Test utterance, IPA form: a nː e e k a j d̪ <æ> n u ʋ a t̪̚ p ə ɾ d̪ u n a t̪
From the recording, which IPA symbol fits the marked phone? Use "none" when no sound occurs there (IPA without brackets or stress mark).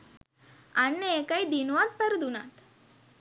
i